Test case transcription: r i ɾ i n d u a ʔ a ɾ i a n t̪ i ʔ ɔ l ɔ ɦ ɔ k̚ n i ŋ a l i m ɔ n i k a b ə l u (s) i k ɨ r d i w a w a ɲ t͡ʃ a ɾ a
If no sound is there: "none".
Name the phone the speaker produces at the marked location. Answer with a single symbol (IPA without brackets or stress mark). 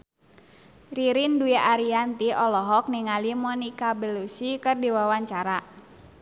s